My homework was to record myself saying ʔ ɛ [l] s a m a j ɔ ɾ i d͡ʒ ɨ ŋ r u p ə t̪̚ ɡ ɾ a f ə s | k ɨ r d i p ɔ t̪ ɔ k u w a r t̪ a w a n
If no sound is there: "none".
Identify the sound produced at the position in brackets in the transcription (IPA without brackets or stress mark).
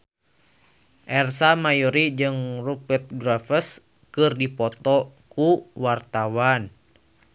r